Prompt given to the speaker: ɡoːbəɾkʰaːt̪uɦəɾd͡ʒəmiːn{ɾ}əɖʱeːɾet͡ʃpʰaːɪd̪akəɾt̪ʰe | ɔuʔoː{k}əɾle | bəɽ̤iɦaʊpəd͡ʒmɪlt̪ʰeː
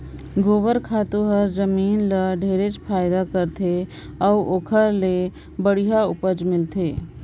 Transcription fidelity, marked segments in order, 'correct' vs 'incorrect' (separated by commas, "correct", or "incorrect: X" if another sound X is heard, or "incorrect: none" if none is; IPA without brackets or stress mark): incorrect: l, incorrect: kʰ